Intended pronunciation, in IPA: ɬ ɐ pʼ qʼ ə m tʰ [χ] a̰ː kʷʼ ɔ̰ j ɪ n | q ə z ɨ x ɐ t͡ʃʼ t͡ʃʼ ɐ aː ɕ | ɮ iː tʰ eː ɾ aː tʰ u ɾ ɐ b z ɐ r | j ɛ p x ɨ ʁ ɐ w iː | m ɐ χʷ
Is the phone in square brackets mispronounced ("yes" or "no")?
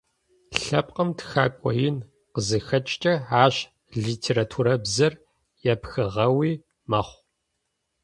yes